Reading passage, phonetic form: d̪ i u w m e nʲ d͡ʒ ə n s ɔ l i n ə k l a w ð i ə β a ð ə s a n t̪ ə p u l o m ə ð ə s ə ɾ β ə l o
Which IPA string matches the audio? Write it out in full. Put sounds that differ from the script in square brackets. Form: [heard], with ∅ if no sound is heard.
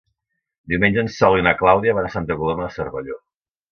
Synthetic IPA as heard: d̪ i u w m e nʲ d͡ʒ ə n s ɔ l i n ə k l a w ð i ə β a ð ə s a n t̪ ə [k] u l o m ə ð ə s ə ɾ β ə [ʎ] o